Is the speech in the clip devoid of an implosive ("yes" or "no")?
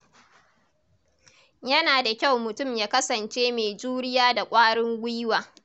yes